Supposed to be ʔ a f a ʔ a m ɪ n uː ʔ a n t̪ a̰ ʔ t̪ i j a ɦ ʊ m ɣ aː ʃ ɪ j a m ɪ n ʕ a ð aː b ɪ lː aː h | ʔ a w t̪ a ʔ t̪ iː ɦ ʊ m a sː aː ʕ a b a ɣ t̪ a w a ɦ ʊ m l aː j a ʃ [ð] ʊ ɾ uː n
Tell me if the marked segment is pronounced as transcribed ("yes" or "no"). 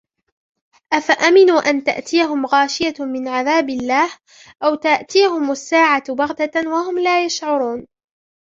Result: no